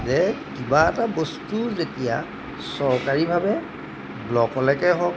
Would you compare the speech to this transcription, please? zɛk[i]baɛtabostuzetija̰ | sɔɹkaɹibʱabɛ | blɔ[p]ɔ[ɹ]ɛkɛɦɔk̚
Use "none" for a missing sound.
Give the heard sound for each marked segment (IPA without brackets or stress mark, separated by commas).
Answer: i, k, l